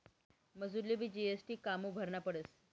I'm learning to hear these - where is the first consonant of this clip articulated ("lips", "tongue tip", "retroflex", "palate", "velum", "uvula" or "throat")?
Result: lips